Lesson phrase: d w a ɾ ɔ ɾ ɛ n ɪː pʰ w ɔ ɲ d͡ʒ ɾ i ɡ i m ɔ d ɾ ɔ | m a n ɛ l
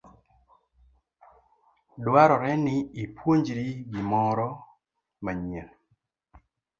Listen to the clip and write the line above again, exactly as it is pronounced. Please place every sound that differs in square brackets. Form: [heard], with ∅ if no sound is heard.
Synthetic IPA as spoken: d w a ɾ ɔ ɾ ɛ n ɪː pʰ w [o] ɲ d͡ʒ ɾ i ɡ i m ɔ [∅] ɾ ɔ | m a [ɲ] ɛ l